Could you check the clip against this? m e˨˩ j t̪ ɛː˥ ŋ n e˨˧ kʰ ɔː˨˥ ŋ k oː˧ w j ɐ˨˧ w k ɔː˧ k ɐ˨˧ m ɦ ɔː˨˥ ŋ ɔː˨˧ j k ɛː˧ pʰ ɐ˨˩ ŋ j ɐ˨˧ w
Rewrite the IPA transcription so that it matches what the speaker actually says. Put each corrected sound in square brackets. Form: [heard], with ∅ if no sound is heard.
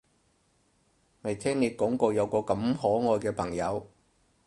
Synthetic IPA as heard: m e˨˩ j [t̪ʰ] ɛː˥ ŋ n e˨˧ [k] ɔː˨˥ ŋ k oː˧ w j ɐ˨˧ w k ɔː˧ k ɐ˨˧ m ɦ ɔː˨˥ ŋ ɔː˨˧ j k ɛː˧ pʰ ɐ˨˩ ŋ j ɐ˨˧ w